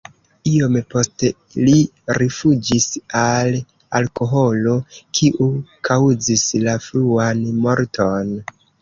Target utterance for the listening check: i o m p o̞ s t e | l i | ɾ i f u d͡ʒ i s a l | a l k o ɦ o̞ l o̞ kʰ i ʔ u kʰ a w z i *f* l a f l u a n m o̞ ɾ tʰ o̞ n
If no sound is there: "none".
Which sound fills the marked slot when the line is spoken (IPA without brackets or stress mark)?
s